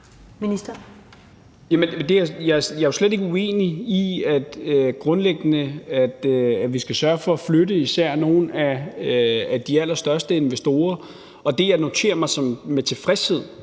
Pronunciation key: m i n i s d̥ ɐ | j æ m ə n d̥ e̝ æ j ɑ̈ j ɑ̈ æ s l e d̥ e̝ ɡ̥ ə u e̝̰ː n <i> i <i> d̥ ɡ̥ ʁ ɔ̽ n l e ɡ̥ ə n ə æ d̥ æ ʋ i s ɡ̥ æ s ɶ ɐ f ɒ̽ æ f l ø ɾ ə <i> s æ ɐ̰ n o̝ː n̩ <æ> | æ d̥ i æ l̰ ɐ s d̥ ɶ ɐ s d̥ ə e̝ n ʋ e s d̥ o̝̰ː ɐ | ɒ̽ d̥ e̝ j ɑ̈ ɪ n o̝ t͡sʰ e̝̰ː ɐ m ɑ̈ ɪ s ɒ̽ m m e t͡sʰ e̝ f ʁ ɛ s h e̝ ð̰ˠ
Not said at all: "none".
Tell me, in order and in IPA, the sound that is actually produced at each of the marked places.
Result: i, æ, i, æ

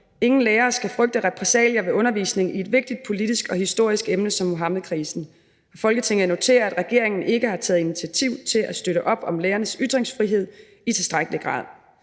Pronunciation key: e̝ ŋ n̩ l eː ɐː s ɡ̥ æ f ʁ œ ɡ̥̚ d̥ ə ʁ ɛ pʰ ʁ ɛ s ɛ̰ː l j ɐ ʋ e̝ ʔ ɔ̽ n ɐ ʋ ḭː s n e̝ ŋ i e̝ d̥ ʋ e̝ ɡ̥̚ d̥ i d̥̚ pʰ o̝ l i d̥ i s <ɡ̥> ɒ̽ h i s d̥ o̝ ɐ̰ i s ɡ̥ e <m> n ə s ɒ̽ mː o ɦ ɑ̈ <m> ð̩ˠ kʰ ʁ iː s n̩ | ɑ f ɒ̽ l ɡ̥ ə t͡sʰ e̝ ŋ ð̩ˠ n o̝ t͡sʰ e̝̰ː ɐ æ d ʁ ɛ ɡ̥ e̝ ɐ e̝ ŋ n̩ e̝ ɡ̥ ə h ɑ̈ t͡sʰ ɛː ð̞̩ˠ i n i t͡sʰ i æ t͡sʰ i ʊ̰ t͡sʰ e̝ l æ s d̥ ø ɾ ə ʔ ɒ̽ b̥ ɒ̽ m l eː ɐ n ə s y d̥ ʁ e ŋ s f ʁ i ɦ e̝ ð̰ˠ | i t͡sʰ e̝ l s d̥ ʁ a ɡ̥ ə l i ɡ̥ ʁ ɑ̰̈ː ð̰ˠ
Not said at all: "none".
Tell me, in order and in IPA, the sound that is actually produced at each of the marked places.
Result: ɡ̥, m, m

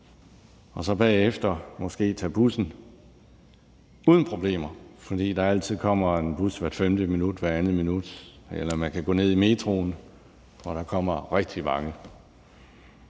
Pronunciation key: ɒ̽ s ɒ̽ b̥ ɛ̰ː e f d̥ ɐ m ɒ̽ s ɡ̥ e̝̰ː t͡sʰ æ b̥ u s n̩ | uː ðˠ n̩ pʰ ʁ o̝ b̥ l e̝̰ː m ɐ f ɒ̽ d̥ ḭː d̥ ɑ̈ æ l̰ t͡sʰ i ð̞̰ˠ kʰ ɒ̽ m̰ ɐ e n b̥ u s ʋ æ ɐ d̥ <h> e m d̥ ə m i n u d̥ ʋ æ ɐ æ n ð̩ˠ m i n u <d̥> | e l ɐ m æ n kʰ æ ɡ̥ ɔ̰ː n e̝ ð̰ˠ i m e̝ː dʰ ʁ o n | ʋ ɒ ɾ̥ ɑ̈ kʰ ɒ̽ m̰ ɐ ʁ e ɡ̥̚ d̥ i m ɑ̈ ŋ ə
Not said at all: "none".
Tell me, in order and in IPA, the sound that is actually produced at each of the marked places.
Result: f, d̥

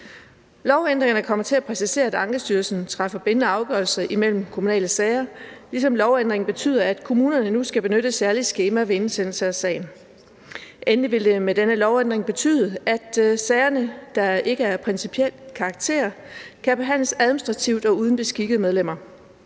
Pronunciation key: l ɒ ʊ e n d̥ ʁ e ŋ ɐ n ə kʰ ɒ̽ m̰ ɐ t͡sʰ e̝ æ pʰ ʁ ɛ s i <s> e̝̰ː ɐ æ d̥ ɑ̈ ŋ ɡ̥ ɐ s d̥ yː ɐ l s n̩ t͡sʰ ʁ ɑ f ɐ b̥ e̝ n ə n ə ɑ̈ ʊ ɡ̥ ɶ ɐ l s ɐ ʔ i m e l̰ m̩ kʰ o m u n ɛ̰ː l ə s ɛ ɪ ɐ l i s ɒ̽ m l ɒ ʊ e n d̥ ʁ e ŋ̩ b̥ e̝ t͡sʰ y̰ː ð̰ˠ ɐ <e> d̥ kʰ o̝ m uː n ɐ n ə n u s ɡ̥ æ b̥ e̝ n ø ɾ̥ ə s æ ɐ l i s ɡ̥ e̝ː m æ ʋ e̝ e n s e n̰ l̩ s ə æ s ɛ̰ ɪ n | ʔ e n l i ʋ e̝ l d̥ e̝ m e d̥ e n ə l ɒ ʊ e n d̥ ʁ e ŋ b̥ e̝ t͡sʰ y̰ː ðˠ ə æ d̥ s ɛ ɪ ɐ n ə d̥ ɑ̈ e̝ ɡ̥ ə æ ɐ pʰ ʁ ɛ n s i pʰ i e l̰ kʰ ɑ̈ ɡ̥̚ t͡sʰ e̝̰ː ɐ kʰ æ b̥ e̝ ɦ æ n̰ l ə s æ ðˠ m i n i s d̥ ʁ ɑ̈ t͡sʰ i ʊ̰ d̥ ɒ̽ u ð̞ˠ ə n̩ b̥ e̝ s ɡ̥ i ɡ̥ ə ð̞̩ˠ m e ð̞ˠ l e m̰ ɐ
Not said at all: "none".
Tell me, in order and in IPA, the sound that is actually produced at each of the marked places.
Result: s, æ

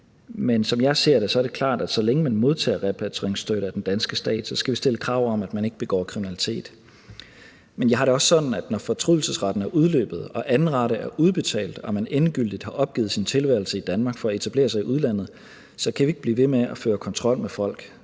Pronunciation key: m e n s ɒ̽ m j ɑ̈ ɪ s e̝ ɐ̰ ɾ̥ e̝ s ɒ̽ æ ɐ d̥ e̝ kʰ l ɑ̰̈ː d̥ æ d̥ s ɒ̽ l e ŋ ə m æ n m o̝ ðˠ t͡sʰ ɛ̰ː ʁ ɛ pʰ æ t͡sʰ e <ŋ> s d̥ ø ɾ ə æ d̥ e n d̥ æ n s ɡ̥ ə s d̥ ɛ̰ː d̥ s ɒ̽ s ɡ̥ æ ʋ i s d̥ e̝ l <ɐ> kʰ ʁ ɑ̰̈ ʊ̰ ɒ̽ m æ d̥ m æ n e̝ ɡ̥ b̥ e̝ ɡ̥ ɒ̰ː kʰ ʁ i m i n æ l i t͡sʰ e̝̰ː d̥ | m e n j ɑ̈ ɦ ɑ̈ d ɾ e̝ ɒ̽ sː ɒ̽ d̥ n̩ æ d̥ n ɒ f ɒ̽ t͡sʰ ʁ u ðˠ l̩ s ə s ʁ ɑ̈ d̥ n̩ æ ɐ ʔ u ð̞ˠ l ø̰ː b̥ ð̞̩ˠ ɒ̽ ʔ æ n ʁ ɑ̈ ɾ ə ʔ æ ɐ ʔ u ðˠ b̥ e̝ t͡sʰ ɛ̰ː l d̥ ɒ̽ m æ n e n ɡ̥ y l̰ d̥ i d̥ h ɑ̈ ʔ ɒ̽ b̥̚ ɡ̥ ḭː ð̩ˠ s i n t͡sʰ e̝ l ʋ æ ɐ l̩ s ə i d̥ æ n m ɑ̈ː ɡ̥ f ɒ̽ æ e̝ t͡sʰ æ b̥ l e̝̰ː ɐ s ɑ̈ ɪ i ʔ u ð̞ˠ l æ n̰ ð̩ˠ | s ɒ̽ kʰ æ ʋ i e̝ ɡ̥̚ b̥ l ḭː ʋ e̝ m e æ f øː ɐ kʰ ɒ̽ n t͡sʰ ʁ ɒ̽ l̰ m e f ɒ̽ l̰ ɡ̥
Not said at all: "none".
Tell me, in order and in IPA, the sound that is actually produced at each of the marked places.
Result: ŋ, ə

